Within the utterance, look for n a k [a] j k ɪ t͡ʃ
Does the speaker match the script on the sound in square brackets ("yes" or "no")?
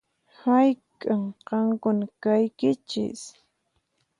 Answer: yes